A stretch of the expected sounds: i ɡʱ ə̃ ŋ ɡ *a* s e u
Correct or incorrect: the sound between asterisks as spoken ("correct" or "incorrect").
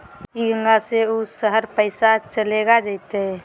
correct